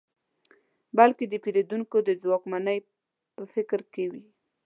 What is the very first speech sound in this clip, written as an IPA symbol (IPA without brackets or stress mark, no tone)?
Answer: b